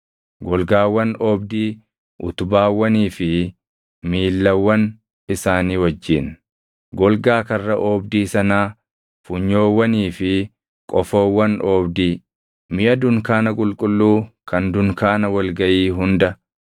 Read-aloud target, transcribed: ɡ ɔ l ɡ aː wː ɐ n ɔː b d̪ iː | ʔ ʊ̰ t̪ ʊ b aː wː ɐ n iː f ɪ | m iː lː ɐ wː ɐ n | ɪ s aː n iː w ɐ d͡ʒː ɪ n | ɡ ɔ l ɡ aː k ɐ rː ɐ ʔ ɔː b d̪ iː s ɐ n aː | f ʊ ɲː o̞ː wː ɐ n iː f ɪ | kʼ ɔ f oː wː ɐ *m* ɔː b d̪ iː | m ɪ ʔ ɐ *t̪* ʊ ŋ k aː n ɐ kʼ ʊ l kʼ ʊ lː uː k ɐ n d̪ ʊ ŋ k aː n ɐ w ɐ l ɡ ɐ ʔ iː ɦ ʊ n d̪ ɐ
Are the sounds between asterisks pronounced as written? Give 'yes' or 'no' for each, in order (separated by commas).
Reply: no, no